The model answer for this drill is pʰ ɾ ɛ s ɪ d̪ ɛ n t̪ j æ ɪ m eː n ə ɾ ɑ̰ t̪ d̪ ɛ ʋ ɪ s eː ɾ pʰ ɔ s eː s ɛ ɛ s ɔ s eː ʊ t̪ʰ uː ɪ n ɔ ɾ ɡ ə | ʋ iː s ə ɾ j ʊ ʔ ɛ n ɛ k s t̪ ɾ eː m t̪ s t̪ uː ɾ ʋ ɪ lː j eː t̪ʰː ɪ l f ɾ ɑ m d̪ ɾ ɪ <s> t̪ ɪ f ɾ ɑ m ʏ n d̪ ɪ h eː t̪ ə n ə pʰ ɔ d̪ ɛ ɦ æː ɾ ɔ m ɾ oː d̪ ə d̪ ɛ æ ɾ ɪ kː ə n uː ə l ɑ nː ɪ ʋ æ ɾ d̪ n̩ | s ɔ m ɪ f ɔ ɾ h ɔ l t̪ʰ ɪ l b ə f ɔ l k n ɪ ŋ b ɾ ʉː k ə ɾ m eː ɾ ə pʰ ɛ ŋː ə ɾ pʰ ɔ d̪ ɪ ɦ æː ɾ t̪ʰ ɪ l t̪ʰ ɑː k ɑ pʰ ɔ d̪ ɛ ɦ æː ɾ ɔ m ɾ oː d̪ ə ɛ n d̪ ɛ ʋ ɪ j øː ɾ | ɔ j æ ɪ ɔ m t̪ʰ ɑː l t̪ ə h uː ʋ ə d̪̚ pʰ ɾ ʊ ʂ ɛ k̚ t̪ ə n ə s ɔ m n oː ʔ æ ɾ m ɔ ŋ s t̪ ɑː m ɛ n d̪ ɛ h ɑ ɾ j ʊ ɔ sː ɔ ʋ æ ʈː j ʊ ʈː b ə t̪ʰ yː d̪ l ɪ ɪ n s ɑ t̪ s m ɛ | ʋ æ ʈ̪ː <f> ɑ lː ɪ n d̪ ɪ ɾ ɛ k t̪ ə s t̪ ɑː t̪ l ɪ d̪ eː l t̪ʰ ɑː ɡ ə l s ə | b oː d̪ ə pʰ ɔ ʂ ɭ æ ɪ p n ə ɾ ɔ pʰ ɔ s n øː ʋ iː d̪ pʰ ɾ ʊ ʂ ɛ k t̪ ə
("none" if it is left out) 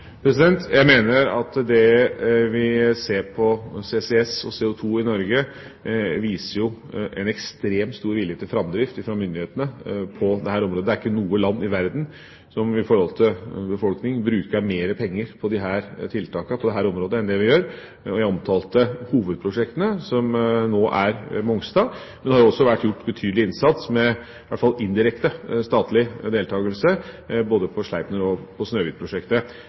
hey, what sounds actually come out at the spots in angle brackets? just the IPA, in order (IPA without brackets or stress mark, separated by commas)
f, f